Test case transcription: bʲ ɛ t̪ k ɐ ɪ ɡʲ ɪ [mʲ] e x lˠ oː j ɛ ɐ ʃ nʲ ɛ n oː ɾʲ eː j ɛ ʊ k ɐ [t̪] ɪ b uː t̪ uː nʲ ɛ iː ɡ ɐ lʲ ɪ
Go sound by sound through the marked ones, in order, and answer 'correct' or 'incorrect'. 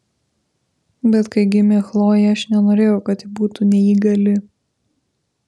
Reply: correct, correct

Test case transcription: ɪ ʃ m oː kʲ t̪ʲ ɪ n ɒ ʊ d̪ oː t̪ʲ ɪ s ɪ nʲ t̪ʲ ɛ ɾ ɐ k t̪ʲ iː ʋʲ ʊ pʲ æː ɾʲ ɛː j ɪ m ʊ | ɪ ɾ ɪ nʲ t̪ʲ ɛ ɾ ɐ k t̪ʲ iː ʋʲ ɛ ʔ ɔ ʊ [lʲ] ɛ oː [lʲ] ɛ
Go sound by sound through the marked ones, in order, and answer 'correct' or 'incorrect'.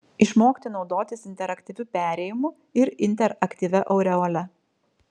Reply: incorrect: ɾʲ, correct

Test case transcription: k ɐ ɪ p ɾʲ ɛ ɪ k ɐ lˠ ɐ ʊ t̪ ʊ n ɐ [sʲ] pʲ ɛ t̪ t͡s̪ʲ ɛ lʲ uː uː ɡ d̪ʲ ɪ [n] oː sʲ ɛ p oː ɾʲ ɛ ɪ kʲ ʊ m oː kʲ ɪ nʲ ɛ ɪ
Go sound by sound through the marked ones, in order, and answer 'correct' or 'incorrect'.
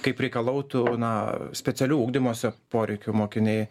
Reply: correct, incorrect: m

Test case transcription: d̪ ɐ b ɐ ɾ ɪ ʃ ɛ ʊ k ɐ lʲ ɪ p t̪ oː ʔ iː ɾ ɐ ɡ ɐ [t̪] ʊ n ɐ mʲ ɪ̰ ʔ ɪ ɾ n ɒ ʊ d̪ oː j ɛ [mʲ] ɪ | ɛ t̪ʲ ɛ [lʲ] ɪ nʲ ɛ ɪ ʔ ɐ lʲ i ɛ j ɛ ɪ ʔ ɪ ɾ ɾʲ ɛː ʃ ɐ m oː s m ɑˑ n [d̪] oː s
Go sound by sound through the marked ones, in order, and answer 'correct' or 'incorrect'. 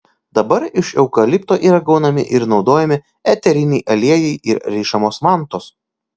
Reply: incorrect: none, correct, incorrect: ɾʲ, incorrect: t̪

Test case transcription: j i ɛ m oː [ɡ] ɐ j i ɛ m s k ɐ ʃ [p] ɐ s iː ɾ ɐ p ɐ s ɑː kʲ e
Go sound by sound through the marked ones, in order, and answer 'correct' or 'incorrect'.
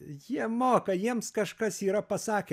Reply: incorrect: k, incorrect: k

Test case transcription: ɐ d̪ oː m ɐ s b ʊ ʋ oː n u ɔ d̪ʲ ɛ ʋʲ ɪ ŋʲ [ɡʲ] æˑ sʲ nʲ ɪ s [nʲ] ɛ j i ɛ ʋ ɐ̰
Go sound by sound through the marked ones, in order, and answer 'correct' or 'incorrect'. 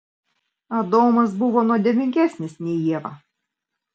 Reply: incorrect: kʲ, correct

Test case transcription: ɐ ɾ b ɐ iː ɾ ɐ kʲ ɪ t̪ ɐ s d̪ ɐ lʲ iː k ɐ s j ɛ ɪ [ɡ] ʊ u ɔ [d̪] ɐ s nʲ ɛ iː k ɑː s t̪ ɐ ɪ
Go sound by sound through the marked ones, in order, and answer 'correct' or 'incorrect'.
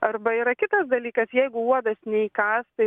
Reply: correct, correct

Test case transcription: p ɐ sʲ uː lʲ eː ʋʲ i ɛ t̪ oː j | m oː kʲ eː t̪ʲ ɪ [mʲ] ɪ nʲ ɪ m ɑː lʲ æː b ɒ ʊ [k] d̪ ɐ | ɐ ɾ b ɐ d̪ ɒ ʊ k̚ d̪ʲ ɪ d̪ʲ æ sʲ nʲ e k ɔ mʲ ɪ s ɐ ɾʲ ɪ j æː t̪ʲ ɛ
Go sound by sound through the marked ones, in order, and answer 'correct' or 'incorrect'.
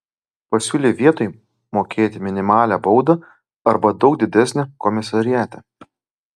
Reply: correct, incorrect: none

